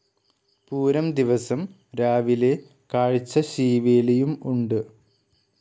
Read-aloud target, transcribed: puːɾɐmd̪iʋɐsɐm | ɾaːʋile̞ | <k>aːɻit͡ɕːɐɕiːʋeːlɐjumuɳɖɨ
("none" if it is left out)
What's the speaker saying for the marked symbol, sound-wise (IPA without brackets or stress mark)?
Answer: k